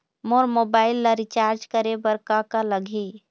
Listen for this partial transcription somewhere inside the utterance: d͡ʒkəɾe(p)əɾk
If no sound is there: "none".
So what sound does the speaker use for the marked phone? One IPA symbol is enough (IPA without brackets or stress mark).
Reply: b